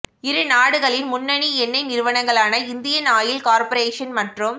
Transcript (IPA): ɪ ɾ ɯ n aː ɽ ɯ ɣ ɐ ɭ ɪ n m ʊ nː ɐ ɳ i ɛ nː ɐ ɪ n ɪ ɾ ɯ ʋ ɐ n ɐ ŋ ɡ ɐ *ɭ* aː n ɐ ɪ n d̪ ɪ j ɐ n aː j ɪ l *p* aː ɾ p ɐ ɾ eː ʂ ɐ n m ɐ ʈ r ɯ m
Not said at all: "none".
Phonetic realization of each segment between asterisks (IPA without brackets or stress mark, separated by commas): ɭ, k